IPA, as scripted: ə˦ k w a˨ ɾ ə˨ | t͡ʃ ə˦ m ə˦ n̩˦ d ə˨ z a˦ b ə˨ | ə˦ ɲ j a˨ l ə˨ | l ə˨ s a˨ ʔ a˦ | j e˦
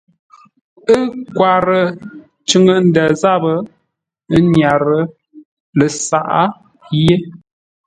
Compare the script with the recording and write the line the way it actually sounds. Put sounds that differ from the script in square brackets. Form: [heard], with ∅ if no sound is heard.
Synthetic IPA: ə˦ k w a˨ ɾ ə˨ | t͡ʃ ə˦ [ŋ] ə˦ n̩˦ d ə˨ z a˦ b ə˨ | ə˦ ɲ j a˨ [ɾ] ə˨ | l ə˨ s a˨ ʔ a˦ | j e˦